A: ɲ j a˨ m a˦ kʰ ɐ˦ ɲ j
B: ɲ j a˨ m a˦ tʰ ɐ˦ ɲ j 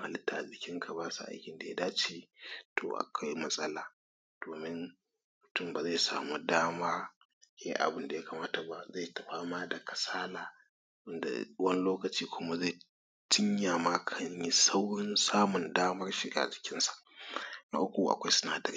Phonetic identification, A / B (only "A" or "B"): A